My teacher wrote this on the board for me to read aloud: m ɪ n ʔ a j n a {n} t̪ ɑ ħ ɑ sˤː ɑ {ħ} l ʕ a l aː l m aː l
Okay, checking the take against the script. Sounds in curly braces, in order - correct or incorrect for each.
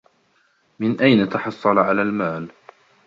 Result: incorrect: none, incorrect: none

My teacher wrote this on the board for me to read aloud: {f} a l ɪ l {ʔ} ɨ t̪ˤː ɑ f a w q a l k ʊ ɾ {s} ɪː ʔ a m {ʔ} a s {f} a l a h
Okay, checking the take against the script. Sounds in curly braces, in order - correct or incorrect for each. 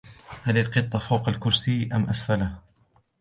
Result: incorrect: h, incorrect: q, correct, correct, correct

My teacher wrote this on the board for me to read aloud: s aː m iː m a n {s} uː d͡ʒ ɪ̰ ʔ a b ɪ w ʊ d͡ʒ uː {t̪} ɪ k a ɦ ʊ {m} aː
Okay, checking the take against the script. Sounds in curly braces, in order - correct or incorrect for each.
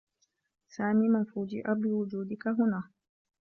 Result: incorrect: f, incorrect: d̪, incorrect: n

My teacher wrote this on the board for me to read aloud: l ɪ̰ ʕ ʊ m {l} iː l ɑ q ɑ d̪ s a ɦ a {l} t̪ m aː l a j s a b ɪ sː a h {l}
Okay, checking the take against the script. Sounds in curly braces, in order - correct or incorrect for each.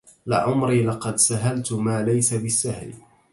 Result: incorrect: ɾ, correct, correct

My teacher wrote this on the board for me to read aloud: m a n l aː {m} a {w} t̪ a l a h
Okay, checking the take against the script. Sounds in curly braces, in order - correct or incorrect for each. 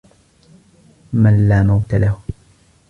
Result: correct, correct

